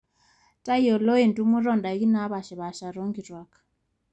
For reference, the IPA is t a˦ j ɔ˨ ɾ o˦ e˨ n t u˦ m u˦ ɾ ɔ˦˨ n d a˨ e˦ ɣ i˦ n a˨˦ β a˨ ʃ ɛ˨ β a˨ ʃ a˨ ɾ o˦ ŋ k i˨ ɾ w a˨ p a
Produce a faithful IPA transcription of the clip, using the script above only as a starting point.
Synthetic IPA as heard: t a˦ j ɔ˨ l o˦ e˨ n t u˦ m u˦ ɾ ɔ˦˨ n d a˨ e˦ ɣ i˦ n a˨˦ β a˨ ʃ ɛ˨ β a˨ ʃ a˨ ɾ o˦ ŋ ɡ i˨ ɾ w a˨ k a